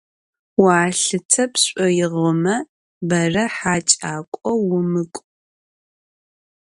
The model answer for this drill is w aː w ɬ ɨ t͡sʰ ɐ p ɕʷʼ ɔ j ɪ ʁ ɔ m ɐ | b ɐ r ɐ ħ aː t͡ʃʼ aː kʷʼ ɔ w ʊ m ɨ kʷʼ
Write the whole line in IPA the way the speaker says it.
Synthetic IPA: w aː ɬ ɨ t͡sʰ ɐ p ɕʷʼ ɔ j ɪ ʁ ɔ m ɐ | b ɐ r ɐ ħ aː t͡ʃʼ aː kʷʼ ɔ w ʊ m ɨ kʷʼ